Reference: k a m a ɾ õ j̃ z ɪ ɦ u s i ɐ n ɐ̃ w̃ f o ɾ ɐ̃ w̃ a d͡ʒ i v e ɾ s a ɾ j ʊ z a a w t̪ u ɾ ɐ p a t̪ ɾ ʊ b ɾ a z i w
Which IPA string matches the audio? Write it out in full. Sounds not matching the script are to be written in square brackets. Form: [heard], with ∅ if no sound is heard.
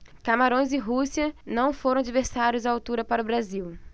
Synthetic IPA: k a m a ɾ õ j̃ z ɪ ɦ u s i ɐ n ɐ̃ w̃ f o ɾ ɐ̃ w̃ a d͡ʒ i v e ɾ s a ɾ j ʊ z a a w t̪ u ɾ ɐ p a [∅] ɾ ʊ b ɾ a z i w